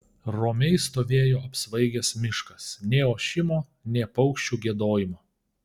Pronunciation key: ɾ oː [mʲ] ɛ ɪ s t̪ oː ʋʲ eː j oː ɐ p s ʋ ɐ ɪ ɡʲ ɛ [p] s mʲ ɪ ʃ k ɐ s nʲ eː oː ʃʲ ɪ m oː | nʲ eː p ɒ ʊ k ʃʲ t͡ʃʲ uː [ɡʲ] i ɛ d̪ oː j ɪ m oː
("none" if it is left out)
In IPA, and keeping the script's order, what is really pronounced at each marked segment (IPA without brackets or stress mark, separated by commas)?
mʲ, none, ɡʲ